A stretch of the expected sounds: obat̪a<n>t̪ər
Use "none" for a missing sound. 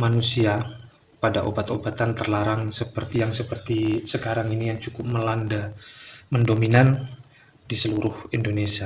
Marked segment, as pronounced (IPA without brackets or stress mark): n